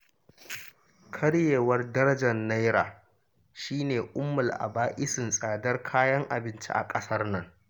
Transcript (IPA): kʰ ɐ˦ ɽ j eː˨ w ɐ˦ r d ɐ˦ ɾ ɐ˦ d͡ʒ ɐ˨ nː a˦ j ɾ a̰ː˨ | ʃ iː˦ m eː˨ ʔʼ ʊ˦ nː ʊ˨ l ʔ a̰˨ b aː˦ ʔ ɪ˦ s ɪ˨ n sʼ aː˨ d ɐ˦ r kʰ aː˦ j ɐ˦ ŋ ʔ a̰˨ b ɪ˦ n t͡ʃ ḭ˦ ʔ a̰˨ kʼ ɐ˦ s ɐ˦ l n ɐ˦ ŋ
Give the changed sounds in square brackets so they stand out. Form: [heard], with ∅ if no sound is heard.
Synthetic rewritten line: kʰ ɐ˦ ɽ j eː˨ w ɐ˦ r d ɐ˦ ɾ ɐ˦ d͡ʒ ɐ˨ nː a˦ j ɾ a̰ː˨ | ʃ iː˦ [n] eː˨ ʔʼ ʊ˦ [mː] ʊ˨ l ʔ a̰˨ b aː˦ ʔ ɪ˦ s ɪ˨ n sʼ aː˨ d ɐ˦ r kʰ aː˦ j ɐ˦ ŋ ʔ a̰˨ b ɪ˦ n t͡ʃ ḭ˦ ʔ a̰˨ kʼ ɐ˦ s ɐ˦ [r] n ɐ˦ ŋ

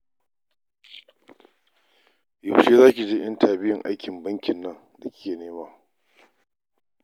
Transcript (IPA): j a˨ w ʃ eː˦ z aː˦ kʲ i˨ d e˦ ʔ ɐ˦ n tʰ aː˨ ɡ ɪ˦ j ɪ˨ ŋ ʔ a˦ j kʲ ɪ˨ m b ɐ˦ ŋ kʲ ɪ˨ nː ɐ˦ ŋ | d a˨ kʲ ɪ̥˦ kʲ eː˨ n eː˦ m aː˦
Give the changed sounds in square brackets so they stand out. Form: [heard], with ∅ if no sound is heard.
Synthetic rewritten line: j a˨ w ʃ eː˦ z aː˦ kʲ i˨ [d͡ʒ] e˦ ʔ ɐ˦ n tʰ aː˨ [b] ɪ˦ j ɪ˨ ŋ ʔ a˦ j kʲ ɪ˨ m b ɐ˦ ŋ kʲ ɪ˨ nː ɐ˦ ŋ | d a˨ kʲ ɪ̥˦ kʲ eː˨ n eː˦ m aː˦

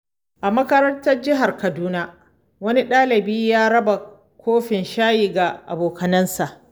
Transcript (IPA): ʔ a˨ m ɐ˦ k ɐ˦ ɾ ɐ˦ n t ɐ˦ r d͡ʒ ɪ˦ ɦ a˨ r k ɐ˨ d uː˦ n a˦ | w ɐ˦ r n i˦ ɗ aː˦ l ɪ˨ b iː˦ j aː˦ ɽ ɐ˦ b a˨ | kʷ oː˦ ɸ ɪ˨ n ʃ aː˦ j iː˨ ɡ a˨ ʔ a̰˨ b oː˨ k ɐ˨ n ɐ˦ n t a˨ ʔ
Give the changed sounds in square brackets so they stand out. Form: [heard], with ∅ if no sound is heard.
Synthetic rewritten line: ʔ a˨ m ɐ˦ k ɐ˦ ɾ ɐ˦ n t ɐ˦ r d͡ʒ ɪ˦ ɦ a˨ r k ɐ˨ d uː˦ n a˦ | w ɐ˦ [∅] n i˦ ɗ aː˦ l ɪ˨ b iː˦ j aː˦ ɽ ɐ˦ b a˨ | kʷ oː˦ ɸ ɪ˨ n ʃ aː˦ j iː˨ ɡ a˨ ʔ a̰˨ b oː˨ k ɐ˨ n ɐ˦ n [s] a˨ ʔ

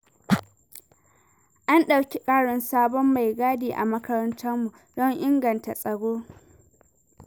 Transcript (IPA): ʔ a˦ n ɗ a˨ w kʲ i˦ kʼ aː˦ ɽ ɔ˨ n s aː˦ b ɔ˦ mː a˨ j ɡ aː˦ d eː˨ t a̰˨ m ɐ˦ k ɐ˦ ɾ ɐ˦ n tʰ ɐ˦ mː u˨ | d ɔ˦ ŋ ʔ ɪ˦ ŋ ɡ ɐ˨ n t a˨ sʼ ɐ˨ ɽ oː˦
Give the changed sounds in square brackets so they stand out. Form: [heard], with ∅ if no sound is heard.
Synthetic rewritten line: ʔ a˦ n ɗ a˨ w kʲ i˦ kʼ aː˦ ɽ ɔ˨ n s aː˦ b ɔ˦ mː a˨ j ɡ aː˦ d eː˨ [ʔ] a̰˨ m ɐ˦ k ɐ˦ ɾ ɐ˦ n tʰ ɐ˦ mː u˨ | d ɔ˦ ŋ ʔ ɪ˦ ŋ ɡ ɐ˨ n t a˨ sʼ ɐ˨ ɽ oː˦

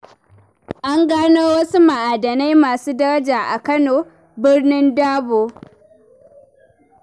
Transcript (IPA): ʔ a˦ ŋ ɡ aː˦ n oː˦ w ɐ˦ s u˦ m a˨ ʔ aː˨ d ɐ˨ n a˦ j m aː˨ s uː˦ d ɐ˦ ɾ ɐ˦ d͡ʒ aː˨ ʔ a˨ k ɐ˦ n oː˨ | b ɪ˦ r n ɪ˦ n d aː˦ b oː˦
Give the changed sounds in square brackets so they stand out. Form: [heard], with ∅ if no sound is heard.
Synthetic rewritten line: ʔ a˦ ŋ ɡ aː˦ n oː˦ w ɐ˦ s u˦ m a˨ ʔ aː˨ d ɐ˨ n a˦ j m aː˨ s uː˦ d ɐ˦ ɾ ɐ˦ d͡ʒ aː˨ ʔ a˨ k ɐ˦ n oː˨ | b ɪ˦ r n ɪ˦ n d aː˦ b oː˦

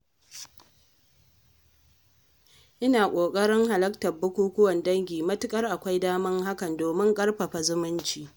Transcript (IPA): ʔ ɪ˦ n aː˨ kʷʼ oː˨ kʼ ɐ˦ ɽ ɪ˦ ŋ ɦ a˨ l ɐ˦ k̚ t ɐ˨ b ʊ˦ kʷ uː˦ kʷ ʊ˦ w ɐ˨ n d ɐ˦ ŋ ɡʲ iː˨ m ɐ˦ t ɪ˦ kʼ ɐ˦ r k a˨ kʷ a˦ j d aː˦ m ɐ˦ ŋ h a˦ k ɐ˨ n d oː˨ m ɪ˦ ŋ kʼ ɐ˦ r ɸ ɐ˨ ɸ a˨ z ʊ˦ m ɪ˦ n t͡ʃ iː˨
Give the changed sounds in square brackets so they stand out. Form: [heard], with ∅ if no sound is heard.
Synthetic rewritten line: ʔ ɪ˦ n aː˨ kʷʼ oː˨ kʼ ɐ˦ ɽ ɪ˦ ŋ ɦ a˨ l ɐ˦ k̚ t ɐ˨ b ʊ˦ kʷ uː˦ kʷ ʊ˦ w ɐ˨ n d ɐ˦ ŋ ɡʲ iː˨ m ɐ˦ t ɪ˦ kʼ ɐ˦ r [ʔ] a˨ kʷ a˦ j d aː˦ m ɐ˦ ŋ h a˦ k ɐ˨ n d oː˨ m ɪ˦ ŋ kʼ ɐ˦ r ɸ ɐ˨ ɸ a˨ z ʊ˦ m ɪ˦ n t͡ʃ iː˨

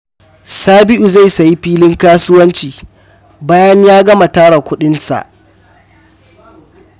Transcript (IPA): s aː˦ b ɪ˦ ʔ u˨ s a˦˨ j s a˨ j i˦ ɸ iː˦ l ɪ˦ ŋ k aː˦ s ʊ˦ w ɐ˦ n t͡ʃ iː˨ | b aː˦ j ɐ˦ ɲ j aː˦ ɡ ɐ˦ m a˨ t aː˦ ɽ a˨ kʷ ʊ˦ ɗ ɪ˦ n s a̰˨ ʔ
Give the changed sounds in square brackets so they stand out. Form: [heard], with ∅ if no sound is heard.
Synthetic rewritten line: s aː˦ b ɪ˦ ʔ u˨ [z] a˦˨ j s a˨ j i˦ ɸ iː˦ l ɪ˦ ŋ k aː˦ s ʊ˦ w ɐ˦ n t͡ʃ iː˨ | b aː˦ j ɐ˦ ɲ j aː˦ ɡ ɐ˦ m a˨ t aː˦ ɽ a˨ kʷ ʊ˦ ɗ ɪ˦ n s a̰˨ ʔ

